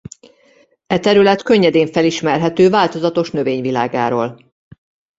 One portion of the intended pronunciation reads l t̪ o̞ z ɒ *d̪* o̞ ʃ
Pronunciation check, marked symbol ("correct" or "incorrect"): incorrect